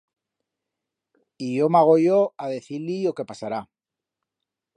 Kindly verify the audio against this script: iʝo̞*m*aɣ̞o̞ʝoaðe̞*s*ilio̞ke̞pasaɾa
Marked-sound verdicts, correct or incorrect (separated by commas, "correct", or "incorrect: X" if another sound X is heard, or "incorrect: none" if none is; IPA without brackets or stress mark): correct, incorrect: θ